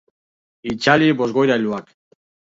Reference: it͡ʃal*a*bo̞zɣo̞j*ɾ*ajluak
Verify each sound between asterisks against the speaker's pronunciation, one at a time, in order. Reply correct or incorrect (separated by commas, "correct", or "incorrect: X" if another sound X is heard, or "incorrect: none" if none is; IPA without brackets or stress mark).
incorrect: i, correct